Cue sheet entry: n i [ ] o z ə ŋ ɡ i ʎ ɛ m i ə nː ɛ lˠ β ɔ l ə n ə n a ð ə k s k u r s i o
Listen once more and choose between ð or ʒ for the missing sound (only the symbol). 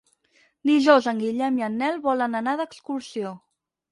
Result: ʒ